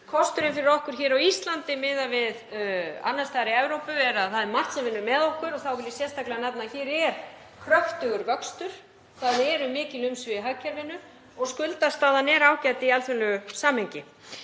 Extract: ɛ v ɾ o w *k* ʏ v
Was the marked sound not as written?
yes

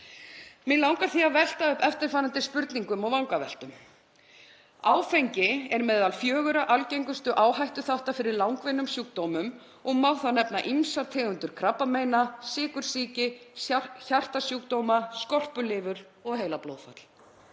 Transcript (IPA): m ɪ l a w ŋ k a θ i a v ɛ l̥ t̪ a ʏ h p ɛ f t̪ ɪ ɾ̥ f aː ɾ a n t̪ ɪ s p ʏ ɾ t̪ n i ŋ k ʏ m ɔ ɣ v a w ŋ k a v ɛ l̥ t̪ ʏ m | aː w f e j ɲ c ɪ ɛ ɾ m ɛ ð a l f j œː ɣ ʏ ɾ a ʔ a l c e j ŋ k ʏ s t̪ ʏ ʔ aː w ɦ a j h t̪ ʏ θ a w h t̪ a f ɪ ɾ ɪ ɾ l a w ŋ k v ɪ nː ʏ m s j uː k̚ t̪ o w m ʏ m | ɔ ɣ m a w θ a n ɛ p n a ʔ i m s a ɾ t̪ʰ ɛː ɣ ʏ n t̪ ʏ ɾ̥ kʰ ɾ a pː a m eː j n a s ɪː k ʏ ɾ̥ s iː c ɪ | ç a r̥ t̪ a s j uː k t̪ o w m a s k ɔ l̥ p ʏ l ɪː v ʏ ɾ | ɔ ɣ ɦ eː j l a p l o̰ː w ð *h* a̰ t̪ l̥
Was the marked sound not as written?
yes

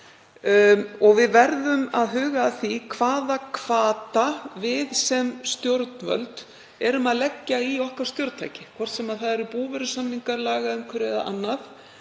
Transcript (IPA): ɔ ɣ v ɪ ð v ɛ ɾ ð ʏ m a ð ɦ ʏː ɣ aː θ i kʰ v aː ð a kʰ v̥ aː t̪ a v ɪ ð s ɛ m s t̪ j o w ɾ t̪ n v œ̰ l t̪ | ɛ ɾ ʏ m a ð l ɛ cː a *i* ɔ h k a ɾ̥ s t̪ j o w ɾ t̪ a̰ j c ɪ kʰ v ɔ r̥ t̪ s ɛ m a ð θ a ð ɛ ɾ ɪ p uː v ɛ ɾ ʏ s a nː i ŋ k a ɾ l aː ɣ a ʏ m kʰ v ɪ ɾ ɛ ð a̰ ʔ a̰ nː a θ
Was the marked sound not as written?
no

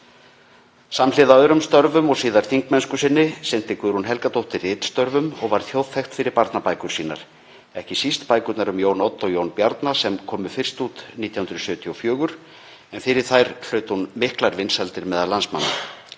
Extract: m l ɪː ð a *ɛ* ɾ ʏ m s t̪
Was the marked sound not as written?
yes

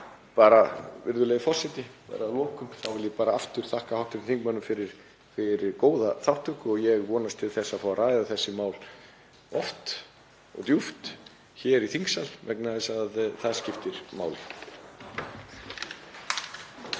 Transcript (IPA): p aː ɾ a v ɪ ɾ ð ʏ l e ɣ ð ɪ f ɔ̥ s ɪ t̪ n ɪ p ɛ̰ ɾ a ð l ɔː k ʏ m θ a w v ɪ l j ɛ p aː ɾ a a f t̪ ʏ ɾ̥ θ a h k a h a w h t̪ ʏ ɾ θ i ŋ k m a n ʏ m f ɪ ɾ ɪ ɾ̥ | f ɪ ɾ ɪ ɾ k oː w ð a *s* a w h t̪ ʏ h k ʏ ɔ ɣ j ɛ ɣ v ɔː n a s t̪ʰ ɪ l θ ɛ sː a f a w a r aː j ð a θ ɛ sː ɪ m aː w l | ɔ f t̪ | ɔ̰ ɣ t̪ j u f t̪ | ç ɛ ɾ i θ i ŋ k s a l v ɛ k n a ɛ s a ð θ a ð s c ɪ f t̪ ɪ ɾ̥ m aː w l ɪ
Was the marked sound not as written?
yes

